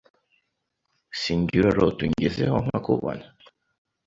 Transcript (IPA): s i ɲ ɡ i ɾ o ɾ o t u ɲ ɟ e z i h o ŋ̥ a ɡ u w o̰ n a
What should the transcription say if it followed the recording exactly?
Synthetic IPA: s i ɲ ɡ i ɾ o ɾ o t u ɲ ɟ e z e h o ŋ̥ a k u β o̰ n a